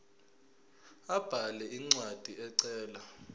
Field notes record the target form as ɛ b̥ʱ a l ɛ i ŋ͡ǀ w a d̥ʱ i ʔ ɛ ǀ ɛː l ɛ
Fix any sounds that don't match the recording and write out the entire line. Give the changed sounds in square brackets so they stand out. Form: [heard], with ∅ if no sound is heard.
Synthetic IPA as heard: [a] b̥ʱ a l ɛ i ŋ͡ǀ w a d̥ʱ i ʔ ɛ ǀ ɛː l [a]